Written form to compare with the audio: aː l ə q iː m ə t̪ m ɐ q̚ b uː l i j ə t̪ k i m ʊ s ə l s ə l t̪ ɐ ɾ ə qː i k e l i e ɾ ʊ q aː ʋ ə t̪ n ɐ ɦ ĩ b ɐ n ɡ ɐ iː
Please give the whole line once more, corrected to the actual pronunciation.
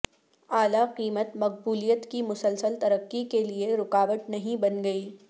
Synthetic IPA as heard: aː l a q iː m ə t̪ m ɐ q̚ b uː l i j ə t̪ k i m ʊ s ə l s ə l t̪ ɐ ɾ ə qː i k e l i e ɾ ʊ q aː ʋ ə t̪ n ɐ ɦ ĩ b ɐ n ɡ ɐ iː